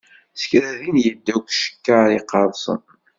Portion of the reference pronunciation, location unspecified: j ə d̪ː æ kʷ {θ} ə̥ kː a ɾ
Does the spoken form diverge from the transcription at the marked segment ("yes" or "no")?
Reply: yes